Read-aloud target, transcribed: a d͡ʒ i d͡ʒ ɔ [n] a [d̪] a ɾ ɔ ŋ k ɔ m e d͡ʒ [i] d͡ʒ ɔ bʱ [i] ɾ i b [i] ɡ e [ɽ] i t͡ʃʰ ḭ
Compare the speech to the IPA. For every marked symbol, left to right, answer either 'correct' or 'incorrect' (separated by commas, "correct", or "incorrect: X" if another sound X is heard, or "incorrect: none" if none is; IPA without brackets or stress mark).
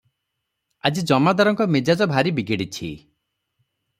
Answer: incorrect: m, correct, incorrect: a, incorrect: a, correct, correct